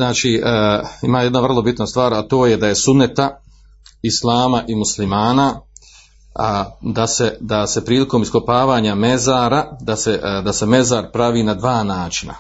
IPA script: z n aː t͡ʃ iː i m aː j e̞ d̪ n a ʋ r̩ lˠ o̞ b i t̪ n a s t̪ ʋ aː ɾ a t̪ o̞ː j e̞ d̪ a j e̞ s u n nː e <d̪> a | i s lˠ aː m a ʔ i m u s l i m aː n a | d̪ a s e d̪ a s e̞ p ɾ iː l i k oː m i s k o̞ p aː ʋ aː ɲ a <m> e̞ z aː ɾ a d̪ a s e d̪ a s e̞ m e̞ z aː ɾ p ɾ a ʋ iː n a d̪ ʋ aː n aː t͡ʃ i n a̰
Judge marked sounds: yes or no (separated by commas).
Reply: no, yes